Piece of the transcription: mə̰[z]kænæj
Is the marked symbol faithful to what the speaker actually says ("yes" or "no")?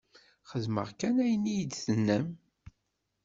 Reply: no